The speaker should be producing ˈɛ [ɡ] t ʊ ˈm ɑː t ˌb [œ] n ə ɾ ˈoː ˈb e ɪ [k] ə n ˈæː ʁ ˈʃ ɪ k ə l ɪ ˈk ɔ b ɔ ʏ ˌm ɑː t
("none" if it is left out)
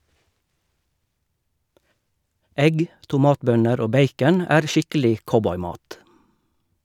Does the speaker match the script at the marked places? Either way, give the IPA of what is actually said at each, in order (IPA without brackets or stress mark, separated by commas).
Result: ɡ, œ, k